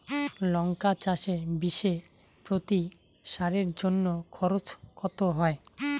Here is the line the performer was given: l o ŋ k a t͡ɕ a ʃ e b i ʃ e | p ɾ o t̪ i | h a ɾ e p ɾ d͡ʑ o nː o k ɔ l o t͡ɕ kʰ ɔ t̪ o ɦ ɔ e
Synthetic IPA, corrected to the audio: l ɔ ŋ k a t͡ɕ a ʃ e b i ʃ e | p ɾ o t̪ i | ʃ a ɾ e ɾ d͡ʑ o nː o kʰ ɔ ɾ o t͡ɕ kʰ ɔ t̪ o ɦ ɔ e